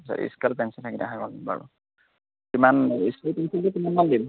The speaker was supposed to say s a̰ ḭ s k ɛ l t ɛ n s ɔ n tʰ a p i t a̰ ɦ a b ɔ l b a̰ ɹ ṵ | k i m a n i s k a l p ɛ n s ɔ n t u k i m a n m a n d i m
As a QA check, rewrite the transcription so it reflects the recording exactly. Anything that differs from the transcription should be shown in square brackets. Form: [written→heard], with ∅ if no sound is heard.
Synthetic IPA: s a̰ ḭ s k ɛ l [t→p] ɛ n s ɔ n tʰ a [p→k] i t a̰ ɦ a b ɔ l b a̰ ɹ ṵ | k i m a n i s k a l p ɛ n s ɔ n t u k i m a n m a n d i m

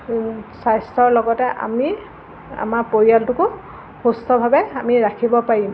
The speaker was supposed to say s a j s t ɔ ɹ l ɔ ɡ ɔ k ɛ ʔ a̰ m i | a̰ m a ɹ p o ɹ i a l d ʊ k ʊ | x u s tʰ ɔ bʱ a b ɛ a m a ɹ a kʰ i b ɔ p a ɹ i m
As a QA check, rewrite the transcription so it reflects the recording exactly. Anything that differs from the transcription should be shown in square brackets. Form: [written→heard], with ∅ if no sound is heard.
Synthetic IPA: s a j s t ɔ ɹ l ɔ ɡ ɔ [k→t] ɛ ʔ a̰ m i | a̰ m a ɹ p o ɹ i a l [d→t] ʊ k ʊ | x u s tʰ ɔ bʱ a b ɛ a m [a→i] ɹ a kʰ i b ɔ p a ɹ i m

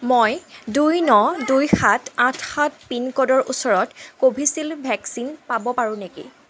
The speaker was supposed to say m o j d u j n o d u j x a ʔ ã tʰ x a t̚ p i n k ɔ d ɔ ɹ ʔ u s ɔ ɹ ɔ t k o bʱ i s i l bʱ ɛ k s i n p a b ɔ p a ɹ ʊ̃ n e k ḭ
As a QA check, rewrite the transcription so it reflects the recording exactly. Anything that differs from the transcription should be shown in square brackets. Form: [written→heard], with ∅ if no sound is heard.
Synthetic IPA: m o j d u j n [o→ɔ] d u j x a [ʔ→t] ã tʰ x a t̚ p i n k ɔ d ɔ ɹ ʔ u s ɔ ɹ ɔ t k o bʱ i s i l bʱ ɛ k s i n p a b ɔ p a ɹ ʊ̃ n e k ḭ

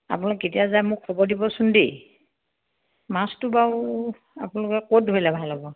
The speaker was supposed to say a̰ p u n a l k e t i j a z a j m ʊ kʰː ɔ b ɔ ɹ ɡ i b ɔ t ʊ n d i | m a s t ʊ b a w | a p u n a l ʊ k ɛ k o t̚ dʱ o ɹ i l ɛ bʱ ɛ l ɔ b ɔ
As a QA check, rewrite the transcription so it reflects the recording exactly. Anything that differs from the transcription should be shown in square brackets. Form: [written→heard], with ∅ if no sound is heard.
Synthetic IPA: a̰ p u n a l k e t i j a z a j m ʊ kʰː ɔ b ɔ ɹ [ɡ→d] i b ɔ [t→s] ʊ n d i | m a s t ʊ b a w | a p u n a l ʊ k ɛ k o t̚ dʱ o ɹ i l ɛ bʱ [ɛ→a] l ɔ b ɔ

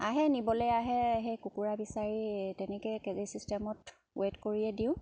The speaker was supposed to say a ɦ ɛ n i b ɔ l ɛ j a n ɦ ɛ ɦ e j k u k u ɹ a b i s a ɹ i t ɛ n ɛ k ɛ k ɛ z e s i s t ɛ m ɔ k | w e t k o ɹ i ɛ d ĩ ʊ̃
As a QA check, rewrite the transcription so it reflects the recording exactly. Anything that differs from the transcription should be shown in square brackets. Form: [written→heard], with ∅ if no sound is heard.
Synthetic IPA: a ɦ ɛ n i b ɔ l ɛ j a [n→∅] ɦ ɛ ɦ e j k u k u ɹ a b i s a ɹ i t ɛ n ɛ k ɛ k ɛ z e s i s t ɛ m ɔ [k→t] | w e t k o ɹ i ɛ d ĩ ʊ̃

